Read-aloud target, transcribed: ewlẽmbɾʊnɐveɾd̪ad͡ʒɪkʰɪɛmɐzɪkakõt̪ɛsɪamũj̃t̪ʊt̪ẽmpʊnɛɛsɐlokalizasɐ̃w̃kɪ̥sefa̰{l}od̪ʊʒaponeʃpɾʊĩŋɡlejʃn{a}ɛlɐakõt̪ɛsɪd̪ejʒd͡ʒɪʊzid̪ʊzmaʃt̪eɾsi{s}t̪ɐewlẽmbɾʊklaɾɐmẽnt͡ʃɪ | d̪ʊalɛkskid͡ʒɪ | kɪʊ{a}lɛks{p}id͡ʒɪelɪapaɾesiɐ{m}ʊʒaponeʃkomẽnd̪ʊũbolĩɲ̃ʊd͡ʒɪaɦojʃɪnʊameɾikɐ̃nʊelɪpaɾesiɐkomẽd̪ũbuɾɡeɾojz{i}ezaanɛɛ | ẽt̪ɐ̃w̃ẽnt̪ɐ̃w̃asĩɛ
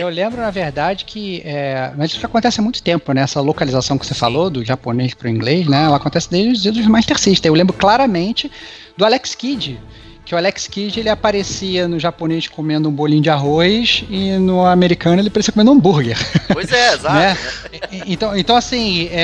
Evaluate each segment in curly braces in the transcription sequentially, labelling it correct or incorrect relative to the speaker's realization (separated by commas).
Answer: correct, incorrect, incorrect, correct, incorrect, incorrect, incorrect